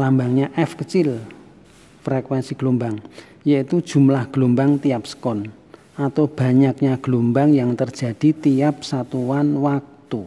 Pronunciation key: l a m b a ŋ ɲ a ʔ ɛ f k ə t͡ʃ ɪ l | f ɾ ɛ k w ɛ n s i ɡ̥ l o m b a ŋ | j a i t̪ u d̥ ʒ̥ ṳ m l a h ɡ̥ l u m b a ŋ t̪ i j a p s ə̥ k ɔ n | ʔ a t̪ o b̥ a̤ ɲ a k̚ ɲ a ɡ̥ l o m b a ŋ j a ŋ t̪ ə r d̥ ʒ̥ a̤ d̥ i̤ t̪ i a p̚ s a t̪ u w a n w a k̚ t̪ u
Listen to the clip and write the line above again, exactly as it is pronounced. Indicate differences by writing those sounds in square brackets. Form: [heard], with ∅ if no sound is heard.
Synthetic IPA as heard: l a m b a ŋ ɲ a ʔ ɛ f k ə t͡ʃ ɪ l | f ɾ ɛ k w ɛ n s i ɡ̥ l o m b a ŋ | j a i t̪ u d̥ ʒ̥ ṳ m l a h ɡ̥ l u m b a ŋ t̪ i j a p s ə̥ k ɔ n | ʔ a t̪ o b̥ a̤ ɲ a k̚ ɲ a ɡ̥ l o m b a ŋ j a ŋ t̪ ə r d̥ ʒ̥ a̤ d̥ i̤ t̪ i a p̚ s a t̪ u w a n w a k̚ t̪ u